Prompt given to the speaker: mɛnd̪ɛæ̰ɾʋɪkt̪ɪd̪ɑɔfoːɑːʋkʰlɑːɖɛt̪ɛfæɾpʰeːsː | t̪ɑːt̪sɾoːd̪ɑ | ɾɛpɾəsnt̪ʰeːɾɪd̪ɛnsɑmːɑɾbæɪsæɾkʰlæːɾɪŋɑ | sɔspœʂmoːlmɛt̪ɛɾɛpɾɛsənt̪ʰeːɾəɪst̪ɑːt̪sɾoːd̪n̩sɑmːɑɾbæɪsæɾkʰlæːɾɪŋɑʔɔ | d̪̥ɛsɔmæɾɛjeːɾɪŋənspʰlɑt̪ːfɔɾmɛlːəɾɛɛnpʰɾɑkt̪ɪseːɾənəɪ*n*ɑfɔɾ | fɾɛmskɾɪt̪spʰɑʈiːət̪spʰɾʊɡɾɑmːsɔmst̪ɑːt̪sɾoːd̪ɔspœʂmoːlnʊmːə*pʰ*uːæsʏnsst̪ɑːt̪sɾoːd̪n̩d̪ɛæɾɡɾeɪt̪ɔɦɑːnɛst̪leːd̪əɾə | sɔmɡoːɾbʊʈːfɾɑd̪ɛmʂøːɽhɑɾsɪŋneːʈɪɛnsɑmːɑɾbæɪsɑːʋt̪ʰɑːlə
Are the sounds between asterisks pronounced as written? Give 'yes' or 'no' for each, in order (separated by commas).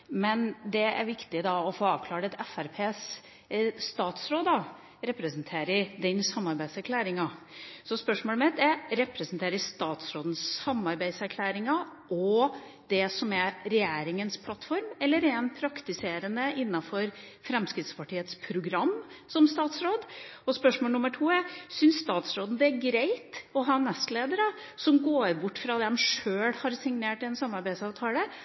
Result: no, no